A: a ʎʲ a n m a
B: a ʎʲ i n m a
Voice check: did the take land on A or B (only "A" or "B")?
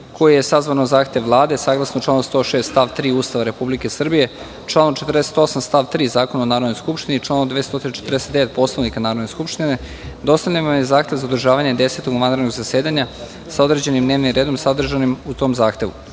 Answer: A